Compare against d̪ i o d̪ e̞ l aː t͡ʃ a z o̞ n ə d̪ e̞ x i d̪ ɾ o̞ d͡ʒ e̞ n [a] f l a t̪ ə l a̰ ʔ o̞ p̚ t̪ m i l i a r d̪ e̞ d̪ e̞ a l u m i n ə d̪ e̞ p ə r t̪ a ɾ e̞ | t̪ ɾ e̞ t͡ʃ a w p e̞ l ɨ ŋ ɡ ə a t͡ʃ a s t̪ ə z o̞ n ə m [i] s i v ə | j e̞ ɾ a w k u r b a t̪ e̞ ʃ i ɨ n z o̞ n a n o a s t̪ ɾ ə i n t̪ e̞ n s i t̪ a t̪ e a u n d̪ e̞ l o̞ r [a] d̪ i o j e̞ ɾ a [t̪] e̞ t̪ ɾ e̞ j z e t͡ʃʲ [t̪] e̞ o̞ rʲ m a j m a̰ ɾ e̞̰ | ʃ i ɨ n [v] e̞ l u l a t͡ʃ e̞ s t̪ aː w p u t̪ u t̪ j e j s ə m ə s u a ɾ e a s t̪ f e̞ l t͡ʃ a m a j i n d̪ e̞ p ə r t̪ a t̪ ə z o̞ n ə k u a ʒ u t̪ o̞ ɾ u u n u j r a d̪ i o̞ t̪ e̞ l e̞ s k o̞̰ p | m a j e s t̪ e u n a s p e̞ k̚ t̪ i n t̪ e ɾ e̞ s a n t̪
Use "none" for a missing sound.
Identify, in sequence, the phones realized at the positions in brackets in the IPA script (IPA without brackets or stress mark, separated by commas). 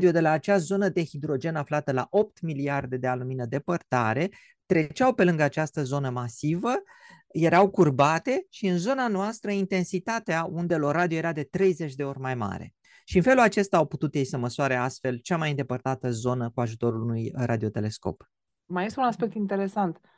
a, a, a, d̪, d̪, f